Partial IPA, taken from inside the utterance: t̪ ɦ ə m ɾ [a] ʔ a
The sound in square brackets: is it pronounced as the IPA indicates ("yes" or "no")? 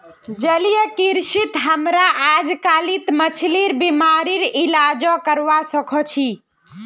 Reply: yes